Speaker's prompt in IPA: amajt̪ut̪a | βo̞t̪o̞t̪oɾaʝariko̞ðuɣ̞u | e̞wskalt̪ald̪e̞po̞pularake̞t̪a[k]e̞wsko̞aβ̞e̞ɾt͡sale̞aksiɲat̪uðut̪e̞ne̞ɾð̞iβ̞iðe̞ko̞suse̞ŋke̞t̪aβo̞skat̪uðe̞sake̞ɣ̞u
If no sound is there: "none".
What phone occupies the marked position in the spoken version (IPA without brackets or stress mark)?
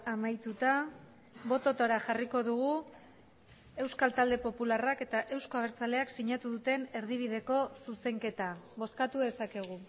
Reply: ʔ